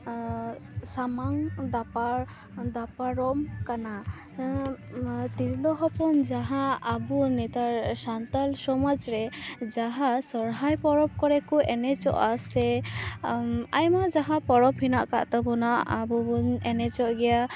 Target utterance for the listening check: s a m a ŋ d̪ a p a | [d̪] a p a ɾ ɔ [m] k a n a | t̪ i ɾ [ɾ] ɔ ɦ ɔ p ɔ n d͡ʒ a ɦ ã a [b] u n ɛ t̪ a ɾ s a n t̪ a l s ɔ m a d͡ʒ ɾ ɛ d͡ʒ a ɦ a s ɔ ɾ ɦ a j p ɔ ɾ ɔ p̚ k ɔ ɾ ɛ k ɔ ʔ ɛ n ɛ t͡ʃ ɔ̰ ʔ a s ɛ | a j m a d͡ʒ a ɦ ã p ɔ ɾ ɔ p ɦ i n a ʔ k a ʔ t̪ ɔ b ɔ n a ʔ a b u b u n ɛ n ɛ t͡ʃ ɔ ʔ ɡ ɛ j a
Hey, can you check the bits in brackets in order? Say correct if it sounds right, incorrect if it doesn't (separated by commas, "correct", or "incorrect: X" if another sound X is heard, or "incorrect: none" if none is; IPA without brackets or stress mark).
correct, correct, incorrect: l, correct